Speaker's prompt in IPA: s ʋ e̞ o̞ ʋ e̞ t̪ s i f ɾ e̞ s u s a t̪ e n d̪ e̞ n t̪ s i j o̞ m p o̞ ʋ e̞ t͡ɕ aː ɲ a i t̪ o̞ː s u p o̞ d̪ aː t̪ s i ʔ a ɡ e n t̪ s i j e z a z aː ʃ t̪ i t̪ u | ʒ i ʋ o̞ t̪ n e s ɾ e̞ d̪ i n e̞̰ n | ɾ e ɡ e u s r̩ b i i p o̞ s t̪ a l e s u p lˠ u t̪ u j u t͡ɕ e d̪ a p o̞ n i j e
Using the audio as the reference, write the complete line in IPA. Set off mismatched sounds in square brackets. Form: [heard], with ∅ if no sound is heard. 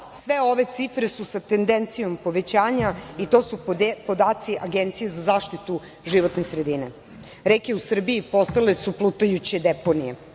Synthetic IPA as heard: s ʋ e̞ o̞ ʋ e̞ t̪ s i f ɾ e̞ s u s a t̪ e n d̪ e̞ n t̪ s i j o̞ m p o̞ ʋ e̞ t͡ɕ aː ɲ a i t̪ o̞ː s u p o̞ d̪ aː t̪ s i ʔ a ɡ e n t̪ s i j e z a z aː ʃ t̪ i t̪ u | ʒ i ʋ o̞ t̪ n e s ɾ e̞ d̪ i n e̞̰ [∅] | ɾ e [k] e u s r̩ b i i p o̞ s t̪ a l e s u p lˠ u t̪ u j u t͡ɕ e d̪ [e] p o̞ n i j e

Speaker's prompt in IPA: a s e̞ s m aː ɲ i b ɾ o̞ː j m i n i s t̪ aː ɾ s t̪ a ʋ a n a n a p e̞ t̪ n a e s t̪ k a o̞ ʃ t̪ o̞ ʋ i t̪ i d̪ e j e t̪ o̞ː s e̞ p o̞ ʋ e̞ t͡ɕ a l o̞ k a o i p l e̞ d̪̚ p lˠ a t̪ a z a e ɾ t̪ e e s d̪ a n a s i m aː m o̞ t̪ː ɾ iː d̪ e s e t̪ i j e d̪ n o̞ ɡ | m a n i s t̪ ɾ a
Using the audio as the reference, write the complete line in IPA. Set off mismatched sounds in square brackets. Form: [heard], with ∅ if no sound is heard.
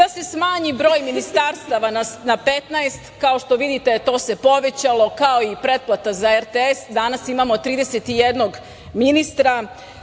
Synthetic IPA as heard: a s e̞ s m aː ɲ i b ɾ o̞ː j m i n i s t̪ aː ɾ s t̪ a ʋ a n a n a p e̞ t̪ n a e s t̪ k a o̞ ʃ t̪ o̞ ʋ i [d̪] i [t̪] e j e t̪ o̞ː s e̞ p o̞ ʋ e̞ t͡ɕ a l o̞ k a o i p [ɾ] e̞ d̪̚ p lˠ a t̪ a z a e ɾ t̪ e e s d̪ a n a s i m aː m o̞ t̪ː ɾ iː d̪ e s e t̪ i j e d̪ n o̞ ɡ | m [i] n i s t̪ ɾ a

